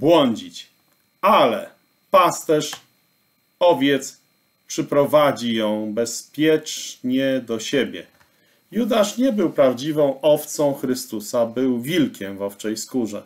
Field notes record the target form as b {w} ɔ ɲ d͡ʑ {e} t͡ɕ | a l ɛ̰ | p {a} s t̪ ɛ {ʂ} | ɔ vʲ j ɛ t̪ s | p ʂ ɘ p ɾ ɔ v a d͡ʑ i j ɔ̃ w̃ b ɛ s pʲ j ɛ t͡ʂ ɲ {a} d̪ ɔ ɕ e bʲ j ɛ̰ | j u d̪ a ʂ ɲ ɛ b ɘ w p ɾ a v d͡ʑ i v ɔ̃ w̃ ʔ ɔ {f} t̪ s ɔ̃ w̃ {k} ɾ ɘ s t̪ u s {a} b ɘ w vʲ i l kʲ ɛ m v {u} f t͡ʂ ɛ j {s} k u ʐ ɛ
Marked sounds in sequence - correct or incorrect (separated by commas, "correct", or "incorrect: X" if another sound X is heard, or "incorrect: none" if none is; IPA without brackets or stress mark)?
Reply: correct, incorrect: i, correct, correct, incorrect: ɛ, correct, incorrect: x, correct, incorrect: ɔ, correct